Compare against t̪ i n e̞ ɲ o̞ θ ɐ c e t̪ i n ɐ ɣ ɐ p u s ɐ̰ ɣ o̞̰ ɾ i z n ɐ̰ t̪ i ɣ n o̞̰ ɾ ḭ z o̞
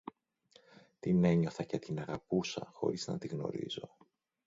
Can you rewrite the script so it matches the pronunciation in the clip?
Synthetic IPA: t̪ i n e̞ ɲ o̞ θ ɐ c e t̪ i n ɐ ɣ ɐ p u s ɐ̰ x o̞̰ ɾ i z n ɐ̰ t̪ i ɣ n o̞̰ ɾ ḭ z o̞